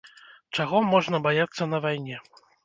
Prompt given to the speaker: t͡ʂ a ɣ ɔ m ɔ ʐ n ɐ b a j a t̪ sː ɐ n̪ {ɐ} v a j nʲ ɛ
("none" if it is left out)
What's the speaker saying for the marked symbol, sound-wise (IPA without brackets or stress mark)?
ɐ